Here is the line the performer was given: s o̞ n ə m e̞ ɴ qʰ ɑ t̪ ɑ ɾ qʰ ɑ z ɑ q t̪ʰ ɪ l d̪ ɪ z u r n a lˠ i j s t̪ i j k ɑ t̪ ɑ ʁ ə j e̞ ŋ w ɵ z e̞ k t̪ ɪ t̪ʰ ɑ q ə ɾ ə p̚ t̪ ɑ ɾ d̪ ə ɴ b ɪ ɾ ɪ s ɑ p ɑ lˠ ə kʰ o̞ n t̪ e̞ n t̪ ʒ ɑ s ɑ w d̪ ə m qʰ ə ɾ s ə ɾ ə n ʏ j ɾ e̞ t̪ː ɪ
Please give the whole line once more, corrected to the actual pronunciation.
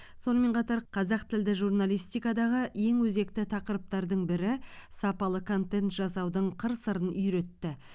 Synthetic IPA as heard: s o̞ n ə m e̞ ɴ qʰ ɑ t̪ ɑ ɾ qʰ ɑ z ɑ q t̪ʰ ɪ l d̪ ɪ ʒ u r n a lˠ i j s t̪ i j k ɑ d̪ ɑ ʁ ə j e̞ ŋ w ɵ z e̞ k t̪ ɪ t̪ʰ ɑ q ə ɾ ə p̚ t̪ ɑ ɾ d̪ ə ɴ b ɪ ɾ ɪ s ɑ p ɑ lˠ ə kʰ o̞ n t̪ e̞ n t̪ ʒ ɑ s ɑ w d̪ ə ɴ qʰ ə ɾ s ə ɾ ə n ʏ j ɾ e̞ t̪ː ɪ